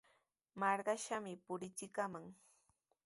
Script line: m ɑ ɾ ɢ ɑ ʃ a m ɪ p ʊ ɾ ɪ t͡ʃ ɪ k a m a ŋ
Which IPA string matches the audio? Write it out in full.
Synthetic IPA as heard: m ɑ ɾ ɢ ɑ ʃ a m ɪ p ʊ ɾ ɪ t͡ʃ ɪ k a m a ŋ

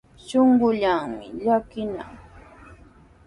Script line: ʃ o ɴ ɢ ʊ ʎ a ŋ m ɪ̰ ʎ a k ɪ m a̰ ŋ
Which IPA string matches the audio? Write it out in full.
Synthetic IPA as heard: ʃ o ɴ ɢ ʊ ʎ a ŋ m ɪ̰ ʎ a k ɪ n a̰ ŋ

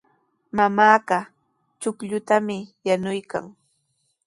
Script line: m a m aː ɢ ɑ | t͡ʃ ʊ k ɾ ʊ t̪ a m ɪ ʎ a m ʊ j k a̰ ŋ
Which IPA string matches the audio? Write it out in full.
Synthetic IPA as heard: m a m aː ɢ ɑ | t͡ʃ ʊ k ʎ ʊ t̪ a m ɪ j a n ʊ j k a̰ ŋ

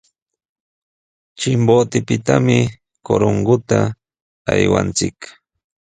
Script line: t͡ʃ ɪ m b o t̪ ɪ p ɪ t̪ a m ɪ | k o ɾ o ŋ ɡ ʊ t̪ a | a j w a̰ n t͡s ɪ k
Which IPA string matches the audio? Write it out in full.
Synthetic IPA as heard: t͡ʃ ɪ m b o t̪ ɪ p ɪ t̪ a m ɪ | k o ɾ o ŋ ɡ ʊ t̪ a | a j w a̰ n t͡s ɪ k

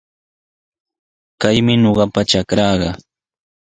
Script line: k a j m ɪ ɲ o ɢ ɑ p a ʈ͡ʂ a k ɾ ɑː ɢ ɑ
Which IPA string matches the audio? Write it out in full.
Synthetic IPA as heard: k a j m ɪ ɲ o ɢ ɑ p a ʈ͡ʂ a k ɾ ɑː ɢ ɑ

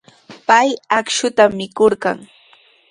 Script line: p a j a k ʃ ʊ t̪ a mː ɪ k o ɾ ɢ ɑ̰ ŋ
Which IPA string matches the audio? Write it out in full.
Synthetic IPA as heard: p a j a k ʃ ʊ t̪ a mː ɪ k o ɾ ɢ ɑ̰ ŋ

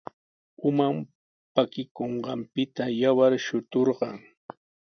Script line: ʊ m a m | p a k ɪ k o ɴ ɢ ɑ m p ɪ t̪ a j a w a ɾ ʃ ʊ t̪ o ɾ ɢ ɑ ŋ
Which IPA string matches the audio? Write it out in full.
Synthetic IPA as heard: ʊ m a m | p a k ɪ k o ɴ ɢ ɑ m p ɪ t̪ a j a w a ɾ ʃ ʊ t̪ o ɾ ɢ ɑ ŋ

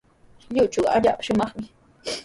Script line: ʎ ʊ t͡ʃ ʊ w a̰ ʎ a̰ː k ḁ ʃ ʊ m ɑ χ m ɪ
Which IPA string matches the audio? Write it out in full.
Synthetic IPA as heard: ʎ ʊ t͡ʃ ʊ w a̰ ʎ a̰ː p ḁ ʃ ʊ m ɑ χ m ɪ

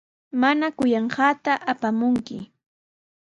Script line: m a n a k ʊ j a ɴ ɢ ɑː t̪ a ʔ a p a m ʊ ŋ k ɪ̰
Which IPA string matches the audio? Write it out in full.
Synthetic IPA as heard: m a n a k ʊ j ɑ ɴ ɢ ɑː t̪ a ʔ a p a m ʊ ŋ k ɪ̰

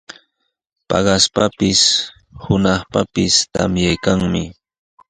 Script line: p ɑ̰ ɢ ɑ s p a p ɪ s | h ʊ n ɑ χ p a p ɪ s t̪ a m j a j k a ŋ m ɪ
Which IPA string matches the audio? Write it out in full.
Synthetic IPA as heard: p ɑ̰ ɢ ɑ s p a p ɪ s | h ʊ n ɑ χ p a p ɪ s t̪ a m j a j k a ŋ m ɪ

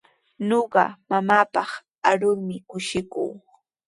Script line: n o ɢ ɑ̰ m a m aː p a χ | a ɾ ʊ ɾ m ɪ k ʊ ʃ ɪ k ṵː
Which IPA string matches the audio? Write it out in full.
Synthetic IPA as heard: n o ɢ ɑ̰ m a m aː p ɑ χ | a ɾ ʊ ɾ m ɪ k ʊ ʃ ɪ k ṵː

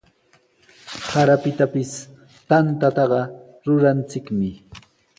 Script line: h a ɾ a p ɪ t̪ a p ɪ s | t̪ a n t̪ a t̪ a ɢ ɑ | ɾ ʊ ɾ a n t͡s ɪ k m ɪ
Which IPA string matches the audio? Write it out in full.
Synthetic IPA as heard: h a ɾ a p ɪ t̪ a p ɪ s | t̪ a n t̪ a t̪ ɑ ɢ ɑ | ɾ ʊ ɾ a n t͡s ɪ k m ɪ

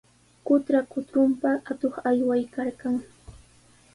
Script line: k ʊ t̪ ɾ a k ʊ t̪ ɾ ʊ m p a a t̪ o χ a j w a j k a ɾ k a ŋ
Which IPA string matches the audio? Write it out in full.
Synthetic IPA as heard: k ʊ t̪ ɾ a k ʊ t̪ ɾ ʊ m p a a t̪ o χ a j w a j k a ɾ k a ŋ

